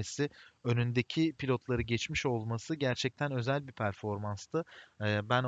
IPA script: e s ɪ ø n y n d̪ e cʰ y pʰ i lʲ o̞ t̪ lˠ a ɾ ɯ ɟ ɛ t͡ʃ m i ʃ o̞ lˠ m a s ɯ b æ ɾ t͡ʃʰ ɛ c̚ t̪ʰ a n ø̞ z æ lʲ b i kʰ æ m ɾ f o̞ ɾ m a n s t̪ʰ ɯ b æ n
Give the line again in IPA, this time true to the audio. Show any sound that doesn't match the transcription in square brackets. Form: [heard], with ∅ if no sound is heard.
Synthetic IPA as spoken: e s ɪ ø n y n d̪ e cʰ [i] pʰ i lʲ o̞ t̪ lˠ a ɾ ɯ ɟ ɛ t͡ʃ m i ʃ o̞ lˠ m a s ɯ [ɟ] æ ɾ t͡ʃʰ ɛ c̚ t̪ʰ [æ] n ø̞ z æ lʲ b i [pʰ] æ [∅] ɾ f o̞ ɾ m a n s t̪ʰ ɯ b æ n